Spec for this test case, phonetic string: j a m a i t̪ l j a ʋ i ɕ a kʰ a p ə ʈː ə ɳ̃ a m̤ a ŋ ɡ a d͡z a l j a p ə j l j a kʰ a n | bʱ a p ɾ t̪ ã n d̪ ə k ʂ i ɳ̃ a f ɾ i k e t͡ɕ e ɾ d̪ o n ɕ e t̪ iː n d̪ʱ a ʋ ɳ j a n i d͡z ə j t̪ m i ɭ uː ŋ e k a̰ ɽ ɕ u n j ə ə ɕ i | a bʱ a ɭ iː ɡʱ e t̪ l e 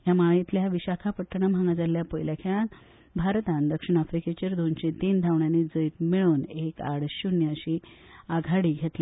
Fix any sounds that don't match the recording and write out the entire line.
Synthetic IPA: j a m a i t̪ l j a ʋ i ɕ a kʰ a p ə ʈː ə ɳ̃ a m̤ a ŋ ɡ a d͡z a l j a p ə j l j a kʰ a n | bʱ a ɾ t̪ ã n d̪ ə k ʂ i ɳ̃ a f ɾ i k e t͡ɕ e ɾ d̪ o n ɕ e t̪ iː n d̪ʱ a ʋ ɳ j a n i d͡z ə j t̪ m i ɭ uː n e k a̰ ɽ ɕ u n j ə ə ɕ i | a ɡʱ a ɽ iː ɡʱ e t̪ l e

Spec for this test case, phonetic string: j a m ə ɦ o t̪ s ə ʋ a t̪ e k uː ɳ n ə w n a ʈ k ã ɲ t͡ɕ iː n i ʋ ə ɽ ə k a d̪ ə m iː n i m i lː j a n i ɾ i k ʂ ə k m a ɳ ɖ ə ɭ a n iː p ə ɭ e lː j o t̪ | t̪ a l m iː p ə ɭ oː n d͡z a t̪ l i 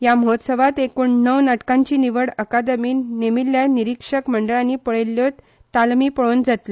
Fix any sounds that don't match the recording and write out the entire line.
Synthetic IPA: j a m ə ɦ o t̪ s ə ʋ a t̪ e k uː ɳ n ə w n a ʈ k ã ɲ t͡ɕ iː n i ʋ ə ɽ ə k a d̪ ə m iː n e m i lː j a n i ɾ i k ʂ ə k m ə ɳ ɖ ə ɭ a n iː p ə ɭ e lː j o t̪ | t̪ a l m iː p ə ɭ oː n d͡z a t̪ l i

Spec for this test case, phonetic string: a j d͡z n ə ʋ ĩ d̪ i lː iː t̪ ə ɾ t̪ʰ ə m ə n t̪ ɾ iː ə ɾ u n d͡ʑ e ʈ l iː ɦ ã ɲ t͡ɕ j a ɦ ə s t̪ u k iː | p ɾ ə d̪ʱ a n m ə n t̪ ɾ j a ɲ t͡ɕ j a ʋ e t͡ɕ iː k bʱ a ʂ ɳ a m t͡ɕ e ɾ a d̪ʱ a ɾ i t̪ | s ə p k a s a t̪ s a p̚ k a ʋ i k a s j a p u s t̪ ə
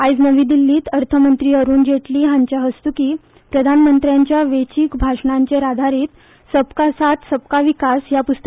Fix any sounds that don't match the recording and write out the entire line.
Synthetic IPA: a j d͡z n ə ʋ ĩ d̪ i lː iː t̪ ə ɾ t̪ʰ ə m ə n t̪ ɾ iː ə ɾ uː n d͡ʑ e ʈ l iː ɦ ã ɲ t͡ɕ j a ɦ ə s t̪ u k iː | p ɾ ə d̪ʱ a n m ə n t̪ ɾ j a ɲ t͡ɕ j a ʋ e t͡ɕ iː k bʱ a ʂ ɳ a ɲ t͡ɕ e ɾ a d̪ʱ a ɾ iː t̪ | s ə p k a s a t̪ s ə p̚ k a ʋ i k a s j a p u s t̪ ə

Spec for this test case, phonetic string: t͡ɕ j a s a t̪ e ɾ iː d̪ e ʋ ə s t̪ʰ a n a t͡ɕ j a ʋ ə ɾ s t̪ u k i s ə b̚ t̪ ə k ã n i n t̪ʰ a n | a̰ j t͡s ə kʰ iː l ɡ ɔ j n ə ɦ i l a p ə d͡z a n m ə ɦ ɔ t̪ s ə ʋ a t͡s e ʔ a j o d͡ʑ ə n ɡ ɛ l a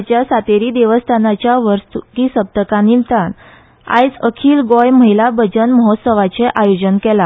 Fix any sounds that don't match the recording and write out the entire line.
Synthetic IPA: t͡ɕ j a s a t̪ e ɾ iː d̪ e ʋ ə s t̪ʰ a n a t͡ɕ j a ʋ ə ɾ s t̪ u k i s ə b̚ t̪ ə k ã n i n t̪ a n | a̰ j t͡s ə kʰ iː l ɡ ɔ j m ə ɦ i l a b ə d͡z ə n m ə ɦ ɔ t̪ s ə ʋ a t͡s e ʔ a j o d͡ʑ ə n k ɛ l a

